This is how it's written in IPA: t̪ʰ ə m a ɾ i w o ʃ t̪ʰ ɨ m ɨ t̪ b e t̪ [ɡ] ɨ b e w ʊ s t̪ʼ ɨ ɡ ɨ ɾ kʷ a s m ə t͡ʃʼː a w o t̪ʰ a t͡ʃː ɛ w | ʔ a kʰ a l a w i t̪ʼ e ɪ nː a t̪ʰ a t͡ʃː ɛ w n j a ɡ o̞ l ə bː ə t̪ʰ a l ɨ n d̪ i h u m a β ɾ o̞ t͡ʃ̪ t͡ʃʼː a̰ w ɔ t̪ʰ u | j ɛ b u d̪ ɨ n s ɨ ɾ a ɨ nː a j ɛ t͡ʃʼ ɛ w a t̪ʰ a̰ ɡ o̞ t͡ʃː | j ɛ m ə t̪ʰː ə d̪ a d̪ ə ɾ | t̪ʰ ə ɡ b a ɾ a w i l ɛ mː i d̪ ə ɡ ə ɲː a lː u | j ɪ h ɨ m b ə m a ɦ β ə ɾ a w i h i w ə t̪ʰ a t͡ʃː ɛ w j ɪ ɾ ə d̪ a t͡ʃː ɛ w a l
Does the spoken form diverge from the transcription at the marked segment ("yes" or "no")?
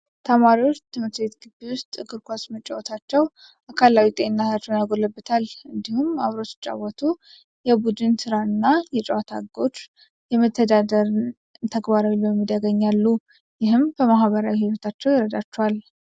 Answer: no